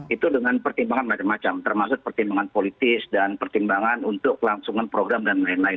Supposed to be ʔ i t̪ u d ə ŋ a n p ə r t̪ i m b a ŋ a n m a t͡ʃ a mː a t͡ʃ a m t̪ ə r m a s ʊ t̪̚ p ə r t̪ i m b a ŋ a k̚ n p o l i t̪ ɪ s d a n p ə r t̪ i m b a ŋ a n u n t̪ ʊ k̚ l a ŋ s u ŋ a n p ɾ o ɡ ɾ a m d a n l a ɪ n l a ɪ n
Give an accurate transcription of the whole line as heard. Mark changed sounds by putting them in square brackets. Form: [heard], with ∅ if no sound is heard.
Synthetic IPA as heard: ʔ i t̪ u d ə ŋ a n p ə r t̪ i m b a ŋ a n m a t͡ʃ a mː a t͡ʃ a m t̪ ə r m a s ʊ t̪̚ p ə r t̪ i m b a ŋ a [∅] n p o l i t̪ ɪ s d a n p ə r t̪ i m b a ŋ a n u n t̪ ʊ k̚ l a ŋ s u ŋ a n p ɾ o ɡ ɾ a m d a n l a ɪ n l a ɪ n